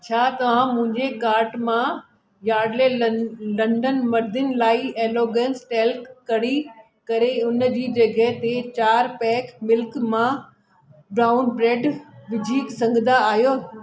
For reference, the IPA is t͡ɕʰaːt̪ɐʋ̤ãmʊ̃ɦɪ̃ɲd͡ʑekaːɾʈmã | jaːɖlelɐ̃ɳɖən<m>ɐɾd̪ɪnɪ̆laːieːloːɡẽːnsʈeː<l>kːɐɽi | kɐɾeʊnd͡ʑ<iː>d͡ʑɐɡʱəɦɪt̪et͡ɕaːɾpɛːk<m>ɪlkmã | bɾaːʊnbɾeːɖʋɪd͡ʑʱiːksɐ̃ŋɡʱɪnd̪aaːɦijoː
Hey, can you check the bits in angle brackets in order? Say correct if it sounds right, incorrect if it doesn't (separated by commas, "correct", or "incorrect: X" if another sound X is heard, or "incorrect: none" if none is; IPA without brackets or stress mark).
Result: correct, correct, correct, correct